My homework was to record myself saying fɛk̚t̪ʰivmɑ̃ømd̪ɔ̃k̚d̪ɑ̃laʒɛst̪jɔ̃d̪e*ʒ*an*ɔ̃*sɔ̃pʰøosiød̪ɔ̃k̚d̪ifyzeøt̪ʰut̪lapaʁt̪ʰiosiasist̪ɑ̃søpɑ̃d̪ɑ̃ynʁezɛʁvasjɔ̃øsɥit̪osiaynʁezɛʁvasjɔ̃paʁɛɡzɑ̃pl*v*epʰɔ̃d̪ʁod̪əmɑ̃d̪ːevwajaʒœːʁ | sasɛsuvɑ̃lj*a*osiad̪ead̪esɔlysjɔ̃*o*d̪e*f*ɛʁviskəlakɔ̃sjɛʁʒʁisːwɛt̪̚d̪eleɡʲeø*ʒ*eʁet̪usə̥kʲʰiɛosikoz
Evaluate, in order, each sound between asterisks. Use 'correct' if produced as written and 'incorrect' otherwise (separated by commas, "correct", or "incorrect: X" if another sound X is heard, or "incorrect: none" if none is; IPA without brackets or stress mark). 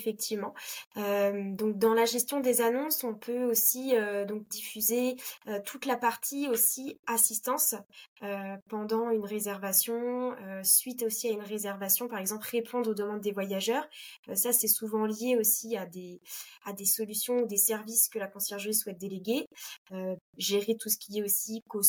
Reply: incorrect: z, correct, incorrect: ʁ, incorrect: e, incorrect: u, incorrect: s, correct